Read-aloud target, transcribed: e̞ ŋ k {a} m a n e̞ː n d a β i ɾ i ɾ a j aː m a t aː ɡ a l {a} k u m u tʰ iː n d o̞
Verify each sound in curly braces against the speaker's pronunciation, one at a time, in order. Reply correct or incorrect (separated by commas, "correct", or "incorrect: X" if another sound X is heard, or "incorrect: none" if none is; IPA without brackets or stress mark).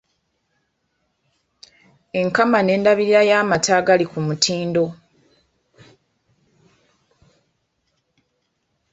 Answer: correct, incorrect: i